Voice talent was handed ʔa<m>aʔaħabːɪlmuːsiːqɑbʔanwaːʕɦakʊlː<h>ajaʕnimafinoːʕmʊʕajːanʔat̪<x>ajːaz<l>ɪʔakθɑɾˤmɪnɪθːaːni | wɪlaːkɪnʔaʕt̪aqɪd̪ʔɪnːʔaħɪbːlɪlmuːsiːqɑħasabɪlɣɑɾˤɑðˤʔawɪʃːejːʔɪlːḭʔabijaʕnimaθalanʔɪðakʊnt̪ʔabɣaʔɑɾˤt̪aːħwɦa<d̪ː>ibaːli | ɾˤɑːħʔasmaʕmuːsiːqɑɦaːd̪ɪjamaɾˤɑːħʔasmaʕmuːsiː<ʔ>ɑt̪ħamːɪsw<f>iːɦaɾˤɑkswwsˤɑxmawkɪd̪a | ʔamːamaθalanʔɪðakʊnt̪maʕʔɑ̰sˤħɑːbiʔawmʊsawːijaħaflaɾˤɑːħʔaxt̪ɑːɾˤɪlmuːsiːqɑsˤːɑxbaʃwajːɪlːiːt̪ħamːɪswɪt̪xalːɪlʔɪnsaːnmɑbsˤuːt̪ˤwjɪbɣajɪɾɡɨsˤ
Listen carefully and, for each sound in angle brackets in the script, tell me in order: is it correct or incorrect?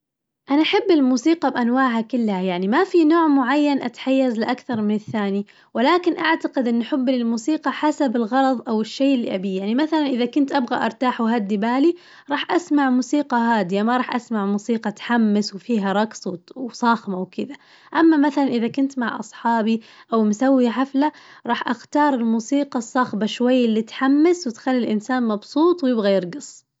incorrect, correct, incorrect, correct, correct, incorrect, correct

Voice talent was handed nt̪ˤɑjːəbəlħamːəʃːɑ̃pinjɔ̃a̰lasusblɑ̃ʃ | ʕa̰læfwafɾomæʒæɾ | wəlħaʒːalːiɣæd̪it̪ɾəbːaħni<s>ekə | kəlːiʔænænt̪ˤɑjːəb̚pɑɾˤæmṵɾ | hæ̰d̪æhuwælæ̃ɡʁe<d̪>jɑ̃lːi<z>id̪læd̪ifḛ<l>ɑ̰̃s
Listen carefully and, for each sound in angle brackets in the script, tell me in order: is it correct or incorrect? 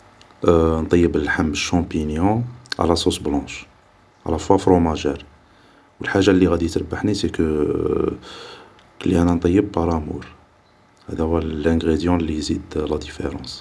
correct, correct, correct, incorrect

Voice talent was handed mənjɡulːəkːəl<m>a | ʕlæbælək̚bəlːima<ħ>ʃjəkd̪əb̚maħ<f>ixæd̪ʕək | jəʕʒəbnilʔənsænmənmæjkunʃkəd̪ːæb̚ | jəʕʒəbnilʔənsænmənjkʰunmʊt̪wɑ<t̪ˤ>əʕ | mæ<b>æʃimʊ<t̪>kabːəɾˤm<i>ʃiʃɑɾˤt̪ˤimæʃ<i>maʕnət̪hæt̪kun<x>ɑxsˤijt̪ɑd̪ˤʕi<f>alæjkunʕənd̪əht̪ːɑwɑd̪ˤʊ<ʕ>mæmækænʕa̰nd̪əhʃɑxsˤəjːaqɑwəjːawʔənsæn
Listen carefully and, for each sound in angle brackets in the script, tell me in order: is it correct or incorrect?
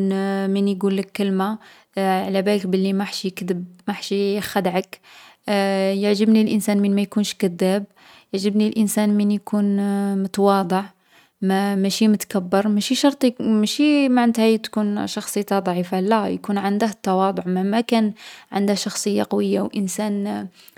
correct, correct, incorrect, incorrect, incorrect, correct, incorrect, correct, incorrect, correct, correct

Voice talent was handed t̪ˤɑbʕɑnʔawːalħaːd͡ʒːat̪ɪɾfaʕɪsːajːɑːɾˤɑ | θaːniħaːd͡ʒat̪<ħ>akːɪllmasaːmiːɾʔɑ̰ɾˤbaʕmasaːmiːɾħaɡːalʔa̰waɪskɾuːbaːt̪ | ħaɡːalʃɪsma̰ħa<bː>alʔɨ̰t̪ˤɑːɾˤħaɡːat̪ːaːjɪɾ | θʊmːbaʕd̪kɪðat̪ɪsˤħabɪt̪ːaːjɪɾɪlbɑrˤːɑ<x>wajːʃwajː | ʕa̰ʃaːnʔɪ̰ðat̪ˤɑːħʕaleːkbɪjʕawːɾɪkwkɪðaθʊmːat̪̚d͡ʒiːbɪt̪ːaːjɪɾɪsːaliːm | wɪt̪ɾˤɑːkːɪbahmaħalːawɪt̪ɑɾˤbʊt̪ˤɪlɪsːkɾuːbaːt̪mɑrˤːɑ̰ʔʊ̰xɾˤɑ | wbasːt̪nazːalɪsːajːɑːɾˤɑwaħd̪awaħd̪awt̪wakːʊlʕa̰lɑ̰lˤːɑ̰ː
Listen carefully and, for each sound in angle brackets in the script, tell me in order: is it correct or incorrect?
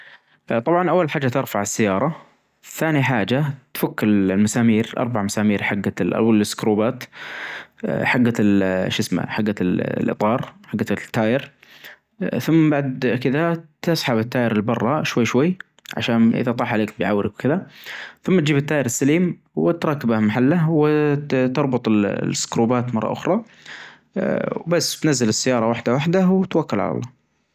incorrect, incorrect, incorrect

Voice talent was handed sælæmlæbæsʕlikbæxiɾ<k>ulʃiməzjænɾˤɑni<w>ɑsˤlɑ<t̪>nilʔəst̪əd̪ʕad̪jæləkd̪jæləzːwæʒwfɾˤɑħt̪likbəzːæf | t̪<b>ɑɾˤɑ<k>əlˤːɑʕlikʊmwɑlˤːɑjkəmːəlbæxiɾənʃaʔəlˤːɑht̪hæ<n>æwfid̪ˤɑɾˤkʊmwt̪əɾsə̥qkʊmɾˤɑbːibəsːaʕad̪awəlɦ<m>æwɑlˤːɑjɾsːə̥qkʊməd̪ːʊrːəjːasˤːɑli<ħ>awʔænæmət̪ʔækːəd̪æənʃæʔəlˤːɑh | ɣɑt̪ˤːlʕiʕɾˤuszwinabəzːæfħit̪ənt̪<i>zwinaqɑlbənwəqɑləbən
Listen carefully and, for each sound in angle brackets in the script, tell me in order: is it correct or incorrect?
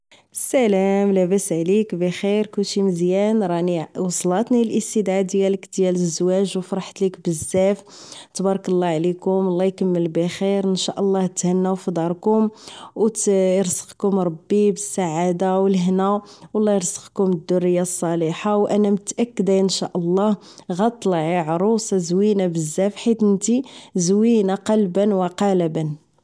correct, correct, correct, correct, correct, incorrect, incorrect, correct, correct

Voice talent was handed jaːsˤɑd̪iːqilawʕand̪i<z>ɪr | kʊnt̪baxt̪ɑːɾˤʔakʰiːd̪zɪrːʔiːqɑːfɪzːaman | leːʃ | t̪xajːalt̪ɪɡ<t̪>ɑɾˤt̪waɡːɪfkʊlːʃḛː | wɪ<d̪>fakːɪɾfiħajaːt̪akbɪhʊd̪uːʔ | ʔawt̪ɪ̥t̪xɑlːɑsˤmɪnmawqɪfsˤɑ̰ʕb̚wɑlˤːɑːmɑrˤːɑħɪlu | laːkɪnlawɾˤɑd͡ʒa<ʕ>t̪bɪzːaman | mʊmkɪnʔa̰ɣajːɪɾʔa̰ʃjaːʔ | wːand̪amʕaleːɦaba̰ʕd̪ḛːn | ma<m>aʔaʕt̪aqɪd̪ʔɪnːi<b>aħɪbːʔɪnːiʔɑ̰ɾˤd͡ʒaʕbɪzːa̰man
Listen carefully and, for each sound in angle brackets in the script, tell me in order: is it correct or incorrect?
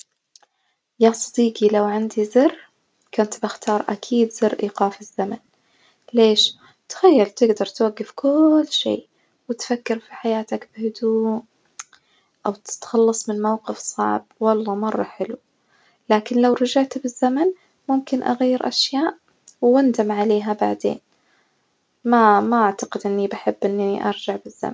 correct, incorrect, incorrect, correct, correct, correct

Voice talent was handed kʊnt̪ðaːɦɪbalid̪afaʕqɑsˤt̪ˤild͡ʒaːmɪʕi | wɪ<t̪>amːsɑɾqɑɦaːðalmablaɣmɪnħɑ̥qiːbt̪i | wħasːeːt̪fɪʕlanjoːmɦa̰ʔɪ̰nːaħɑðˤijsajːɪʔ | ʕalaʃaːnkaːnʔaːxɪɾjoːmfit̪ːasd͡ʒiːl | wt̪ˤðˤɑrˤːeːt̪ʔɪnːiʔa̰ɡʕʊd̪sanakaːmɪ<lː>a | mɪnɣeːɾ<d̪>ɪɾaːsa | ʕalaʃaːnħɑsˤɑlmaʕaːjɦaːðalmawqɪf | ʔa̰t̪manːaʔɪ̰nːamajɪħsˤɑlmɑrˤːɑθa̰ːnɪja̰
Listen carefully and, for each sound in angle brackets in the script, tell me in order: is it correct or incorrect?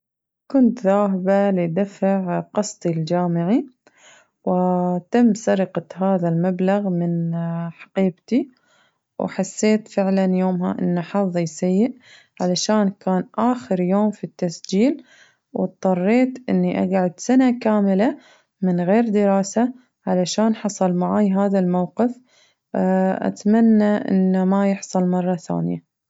correct, incorrect, correct

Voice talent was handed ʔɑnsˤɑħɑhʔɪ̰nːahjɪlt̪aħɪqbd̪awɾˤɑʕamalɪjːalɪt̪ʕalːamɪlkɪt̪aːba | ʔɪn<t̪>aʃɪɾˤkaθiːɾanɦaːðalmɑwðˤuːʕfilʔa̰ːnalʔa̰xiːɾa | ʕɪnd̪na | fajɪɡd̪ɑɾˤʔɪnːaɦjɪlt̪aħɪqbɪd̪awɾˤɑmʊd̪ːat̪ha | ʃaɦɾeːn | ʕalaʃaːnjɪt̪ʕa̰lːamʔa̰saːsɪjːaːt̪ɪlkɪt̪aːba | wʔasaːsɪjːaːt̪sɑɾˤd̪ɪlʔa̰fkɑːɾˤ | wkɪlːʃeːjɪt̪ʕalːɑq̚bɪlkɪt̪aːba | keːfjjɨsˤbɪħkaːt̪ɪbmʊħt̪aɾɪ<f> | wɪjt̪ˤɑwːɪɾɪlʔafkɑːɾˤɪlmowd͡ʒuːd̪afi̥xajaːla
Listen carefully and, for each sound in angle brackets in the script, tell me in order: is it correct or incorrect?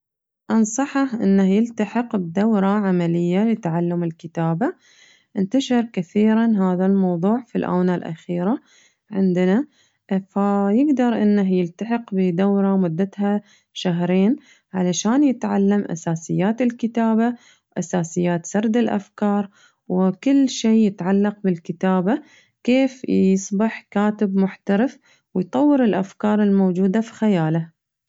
correct, correct

